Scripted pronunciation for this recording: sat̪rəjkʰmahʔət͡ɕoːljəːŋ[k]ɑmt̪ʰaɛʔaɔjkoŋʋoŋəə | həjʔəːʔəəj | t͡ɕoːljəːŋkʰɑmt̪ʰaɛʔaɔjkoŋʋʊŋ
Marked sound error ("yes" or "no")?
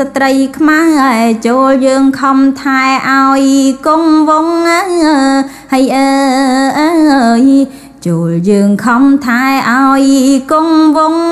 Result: yes